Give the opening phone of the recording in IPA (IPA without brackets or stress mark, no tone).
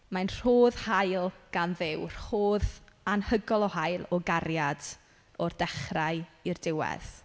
m